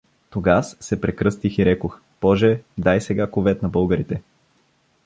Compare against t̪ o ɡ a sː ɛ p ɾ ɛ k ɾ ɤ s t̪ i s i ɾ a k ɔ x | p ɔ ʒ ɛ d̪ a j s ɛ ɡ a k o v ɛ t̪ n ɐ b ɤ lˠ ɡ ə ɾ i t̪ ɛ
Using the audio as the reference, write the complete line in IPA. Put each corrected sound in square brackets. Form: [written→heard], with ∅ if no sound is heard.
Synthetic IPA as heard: t̪ o ɡ a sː ɛ p ɾ ɛ k ɾ ɤ s t̪ i [s→x] i ɾ [a→ɛ] k [ɔ→o] x | p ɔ ʒ ɛ d̪ a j s ɛ ɡ a k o v ɛ t̪ n ɐ b ɤ lˠ ɡ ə ɾ i t̪ ɛ